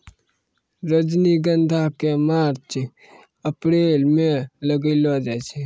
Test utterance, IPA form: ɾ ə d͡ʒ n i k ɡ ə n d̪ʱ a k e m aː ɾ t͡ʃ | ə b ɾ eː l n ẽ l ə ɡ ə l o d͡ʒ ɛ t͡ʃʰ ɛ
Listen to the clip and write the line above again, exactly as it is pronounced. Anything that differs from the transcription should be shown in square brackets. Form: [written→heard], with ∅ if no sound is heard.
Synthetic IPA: ɾ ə d͡ʒ n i [k→∅] ɡ ə n d̪ʱ a k e m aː ɾ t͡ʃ | ə [b→p] ɾ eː l [n→m] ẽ l ə ɡ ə l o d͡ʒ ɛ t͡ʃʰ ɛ